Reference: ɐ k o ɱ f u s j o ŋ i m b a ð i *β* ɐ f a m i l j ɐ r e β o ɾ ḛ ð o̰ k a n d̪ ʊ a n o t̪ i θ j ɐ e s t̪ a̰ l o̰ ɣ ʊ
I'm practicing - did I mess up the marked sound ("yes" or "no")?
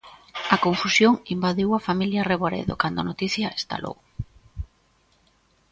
yes